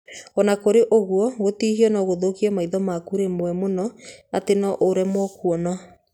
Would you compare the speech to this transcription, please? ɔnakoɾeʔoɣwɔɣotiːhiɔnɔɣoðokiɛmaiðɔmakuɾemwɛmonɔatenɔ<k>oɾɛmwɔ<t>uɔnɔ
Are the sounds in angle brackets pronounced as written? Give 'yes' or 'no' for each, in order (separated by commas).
no, no